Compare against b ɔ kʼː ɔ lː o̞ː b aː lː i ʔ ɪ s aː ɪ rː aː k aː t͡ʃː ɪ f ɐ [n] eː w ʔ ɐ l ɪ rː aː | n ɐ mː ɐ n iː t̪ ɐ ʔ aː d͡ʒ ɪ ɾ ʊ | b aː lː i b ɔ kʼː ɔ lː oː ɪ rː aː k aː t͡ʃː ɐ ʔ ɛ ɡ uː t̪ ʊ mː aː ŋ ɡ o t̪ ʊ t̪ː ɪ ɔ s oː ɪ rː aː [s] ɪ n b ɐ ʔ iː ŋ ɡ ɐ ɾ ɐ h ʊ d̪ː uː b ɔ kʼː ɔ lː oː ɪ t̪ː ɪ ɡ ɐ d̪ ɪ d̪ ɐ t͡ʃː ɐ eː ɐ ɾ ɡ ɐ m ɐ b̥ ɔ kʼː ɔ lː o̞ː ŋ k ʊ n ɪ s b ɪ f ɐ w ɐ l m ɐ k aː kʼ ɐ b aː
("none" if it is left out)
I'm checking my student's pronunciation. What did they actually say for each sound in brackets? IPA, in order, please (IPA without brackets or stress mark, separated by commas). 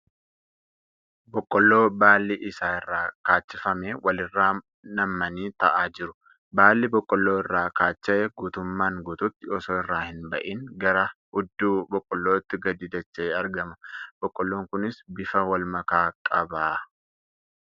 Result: m, h